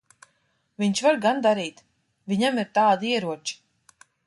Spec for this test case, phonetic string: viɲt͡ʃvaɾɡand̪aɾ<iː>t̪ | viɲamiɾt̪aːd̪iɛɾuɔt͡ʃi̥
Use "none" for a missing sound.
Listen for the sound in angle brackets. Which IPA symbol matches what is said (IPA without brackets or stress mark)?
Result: iː